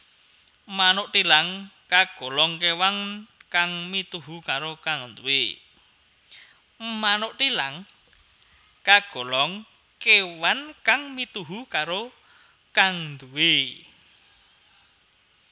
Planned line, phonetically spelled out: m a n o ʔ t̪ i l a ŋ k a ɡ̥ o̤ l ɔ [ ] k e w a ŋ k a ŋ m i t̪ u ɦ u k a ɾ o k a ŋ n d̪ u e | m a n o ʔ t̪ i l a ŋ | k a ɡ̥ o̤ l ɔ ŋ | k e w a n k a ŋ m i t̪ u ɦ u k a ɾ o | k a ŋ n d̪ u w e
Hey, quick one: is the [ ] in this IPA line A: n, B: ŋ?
B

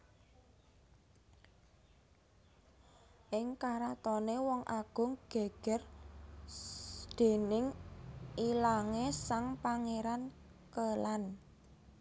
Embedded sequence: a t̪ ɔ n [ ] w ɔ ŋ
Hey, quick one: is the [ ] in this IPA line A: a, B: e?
B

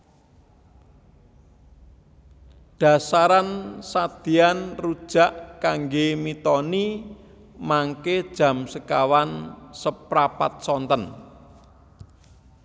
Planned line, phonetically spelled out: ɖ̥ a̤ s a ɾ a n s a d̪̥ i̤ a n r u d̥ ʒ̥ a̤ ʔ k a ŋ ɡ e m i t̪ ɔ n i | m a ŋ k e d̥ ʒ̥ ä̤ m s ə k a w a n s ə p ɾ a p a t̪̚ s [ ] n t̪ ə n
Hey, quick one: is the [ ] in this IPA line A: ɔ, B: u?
A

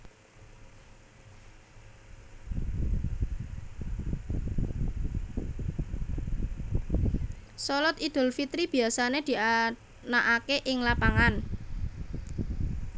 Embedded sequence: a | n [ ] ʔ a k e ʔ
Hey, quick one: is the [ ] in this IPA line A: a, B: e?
A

